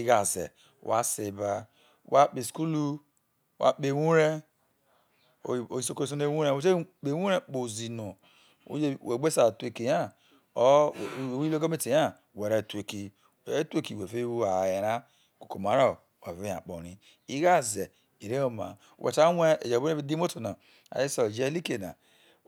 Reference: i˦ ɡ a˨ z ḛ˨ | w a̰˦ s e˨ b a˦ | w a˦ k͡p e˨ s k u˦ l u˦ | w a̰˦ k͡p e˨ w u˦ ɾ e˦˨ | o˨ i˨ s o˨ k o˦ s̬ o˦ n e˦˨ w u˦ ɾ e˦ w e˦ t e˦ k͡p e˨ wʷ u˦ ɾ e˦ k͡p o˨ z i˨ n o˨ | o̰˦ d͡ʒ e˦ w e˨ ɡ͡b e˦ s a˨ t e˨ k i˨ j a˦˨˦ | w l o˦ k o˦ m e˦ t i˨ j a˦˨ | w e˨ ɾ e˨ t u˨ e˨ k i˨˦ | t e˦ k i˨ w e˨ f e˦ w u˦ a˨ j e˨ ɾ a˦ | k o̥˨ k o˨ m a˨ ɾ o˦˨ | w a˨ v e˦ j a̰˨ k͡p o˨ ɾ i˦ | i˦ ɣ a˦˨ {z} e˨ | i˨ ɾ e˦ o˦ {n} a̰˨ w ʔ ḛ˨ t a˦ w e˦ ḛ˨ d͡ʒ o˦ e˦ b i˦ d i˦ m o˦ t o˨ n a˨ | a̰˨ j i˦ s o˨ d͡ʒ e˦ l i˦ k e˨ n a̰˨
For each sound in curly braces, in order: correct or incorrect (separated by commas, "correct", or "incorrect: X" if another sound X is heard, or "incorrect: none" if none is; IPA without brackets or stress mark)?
correct, incorrect: m